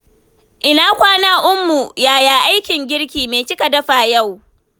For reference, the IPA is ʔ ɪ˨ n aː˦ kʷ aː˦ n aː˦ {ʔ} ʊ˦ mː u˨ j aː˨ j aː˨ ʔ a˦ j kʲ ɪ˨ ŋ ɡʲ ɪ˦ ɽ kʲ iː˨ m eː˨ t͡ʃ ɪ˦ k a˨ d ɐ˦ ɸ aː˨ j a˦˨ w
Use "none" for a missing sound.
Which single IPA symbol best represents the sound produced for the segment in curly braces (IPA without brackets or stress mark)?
ʔ